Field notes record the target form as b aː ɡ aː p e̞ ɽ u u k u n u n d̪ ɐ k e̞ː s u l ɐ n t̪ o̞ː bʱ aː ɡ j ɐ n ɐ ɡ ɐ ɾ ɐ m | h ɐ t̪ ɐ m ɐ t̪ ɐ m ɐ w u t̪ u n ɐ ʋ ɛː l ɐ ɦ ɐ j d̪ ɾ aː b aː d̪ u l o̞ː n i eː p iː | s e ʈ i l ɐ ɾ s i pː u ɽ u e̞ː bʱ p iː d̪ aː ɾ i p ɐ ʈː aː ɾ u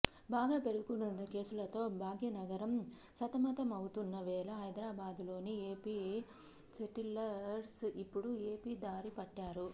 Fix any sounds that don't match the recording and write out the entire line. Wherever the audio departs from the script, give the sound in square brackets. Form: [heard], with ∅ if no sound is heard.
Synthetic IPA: b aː ɡ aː p e̞ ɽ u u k u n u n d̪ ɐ k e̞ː s u l ɐ [∅] t̪ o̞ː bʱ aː ɡ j ɐ n ɐ ɡ ɐ ɾ ɐ m | [s] ɐ t̪ ɐ m ɐ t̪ ɐ m ɐ w u t̪ u [nː] ɐ ʋ ɛː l ɐ ɦ ɐ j d̪ ɾ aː b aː d̪ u l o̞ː n i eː p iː | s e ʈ i l ɐ ɾ s i pː u ɽ u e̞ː [∅] p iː d̪ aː ɾ i p ɐ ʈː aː ɾ u